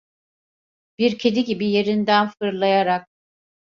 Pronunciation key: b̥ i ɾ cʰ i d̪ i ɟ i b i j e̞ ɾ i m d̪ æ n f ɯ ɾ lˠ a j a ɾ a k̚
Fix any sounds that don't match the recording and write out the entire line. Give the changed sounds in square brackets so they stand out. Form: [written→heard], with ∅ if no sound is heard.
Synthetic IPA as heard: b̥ i ɾ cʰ [i→e] d̪ i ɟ i b i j e̞ ɾ i [m→n] d̪ æ n f ɯ ɾ lˠ a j a ɾ a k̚